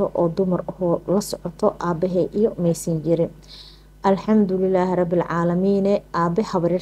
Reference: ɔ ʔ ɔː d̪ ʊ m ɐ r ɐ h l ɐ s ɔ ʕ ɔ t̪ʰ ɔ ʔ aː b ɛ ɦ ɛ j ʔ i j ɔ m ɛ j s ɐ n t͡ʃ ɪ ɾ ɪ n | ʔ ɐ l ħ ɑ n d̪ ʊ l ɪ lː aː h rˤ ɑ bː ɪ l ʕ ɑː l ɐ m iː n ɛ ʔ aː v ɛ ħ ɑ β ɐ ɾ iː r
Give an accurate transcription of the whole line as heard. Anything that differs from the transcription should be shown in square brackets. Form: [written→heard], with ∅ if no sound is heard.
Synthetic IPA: ɔ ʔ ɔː d̪ ʊ m ɐ r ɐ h l ɐ s ɔ ʕ ɔ t̪ʰ ɔ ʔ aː b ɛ ɦ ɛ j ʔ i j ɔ m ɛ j s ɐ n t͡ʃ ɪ ɾ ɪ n | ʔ ɐ l ħ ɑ [n→m] d̪ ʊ l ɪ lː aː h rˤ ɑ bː ɪ l ʕ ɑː l ɐ m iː n ɛ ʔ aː [v→b] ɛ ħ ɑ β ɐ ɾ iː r